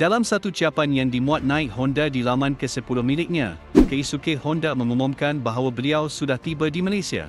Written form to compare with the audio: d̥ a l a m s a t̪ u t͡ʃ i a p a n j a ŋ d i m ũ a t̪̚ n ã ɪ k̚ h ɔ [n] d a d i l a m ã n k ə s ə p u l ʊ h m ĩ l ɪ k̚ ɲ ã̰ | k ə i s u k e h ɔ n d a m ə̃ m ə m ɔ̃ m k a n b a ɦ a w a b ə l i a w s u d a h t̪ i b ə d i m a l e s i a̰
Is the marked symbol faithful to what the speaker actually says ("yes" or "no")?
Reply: yes